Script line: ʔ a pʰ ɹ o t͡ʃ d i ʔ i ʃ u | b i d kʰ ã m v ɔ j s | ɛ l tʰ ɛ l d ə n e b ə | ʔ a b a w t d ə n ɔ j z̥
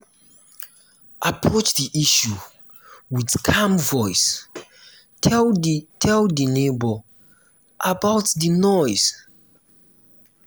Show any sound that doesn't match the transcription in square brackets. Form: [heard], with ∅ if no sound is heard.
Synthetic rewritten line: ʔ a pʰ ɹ o t͡ʃ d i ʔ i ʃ u | [w] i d kʰ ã m v ɔ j s | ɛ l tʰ ɛ l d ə n e b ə | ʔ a b a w t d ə n ɔ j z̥